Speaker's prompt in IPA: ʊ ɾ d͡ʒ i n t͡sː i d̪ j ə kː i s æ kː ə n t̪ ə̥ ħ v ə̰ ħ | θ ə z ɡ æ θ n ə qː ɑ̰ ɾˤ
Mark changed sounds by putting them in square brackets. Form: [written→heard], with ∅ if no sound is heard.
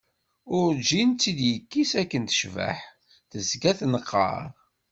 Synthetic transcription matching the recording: ʊ ɾ d͡ʒ i n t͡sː i d̪ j ə kː i s æ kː ə n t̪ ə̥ [ħ→ʃ] v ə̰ ħ | θ ə z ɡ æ θ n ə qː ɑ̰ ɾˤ